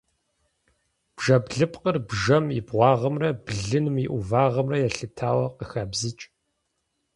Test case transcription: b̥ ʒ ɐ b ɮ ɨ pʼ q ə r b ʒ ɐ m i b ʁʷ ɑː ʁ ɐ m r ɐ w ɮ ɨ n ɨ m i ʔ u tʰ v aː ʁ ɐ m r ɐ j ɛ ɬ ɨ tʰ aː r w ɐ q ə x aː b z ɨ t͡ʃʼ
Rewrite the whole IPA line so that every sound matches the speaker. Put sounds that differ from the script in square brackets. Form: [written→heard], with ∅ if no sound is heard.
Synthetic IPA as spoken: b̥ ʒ ɐ b ɮ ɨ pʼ q ə r b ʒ ɐ m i b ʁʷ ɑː ʁ ɐ m r ɐ [w→b] ɮ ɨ n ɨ m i ʔ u [tʰ→∅] v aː ʁ ɐ m r ɐ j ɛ ɬ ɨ tʰ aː [r→∅] w ɐ q ə x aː b z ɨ t͡ʃʼ